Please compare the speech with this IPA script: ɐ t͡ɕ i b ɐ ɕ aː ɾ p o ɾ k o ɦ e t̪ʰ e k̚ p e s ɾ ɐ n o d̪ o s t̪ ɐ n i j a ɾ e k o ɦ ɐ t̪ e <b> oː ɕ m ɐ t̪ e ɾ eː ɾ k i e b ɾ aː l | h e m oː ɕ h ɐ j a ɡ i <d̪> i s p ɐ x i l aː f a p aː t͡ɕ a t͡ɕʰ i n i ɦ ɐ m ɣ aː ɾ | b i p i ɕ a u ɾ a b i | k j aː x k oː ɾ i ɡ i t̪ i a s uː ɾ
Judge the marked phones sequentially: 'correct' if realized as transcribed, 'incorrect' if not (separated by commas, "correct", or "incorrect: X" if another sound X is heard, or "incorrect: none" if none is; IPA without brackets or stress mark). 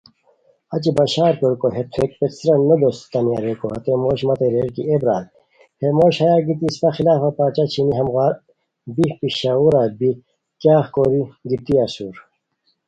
incorrect: m, incorrect: t̪